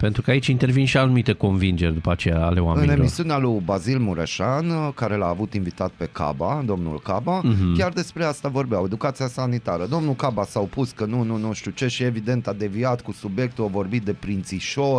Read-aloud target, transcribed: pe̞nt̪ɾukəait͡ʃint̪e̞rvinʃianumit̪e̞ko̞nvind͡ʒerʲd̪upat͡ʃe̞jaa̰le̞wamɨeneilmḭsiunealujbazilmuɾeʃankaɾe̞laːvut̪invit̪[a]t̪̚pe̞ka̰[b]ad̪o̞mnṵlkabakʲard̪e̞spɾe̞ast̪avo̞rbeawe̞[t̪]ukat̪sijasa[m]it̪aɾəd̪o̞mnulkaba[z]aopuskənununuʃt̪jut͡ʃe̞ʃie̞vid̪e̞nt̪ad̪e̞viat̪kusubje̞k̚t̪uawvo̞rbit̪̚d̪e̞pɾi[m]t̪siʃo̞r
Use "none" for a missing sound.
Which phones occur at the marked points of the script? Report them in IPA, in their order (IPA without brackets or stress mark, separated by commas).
a, b, d̪, n, s, n